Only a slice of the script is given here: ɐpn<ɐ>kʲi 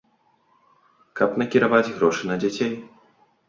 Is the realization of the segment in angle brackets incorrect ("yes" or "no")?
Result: no